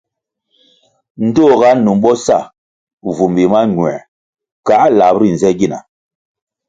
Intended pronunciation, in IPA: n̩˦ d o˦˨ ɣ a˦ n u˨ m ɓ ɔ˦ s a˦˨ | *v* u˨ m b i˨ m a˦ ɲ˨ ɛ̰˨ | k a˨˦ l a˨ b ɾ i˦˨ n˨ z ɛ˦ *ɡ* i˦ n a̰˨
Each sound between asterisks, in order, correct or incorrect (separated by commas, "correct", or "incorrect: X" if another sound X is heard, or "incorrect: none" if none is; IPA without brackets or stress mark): correct, correct